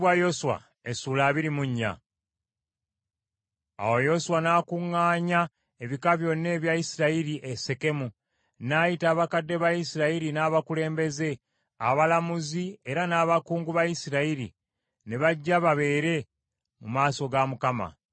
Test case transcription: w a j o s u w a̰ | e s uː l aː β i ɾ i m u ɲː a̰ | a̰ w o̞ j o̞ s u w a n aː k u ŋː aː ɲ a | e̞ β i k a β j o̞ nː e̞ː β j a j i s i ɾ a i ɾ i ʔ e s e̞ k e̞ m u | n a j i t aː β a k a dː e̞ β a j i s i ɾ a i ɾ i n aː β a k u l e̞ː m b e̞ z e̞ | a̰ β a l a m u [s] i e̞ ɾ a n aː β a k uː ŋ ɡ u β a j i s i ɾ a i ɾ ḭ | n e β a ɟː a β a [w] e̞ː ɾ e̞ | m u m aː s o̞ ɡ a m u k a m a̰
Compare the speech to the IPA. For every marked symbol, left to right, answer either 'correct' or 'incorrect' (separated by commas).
incorrect, incorrect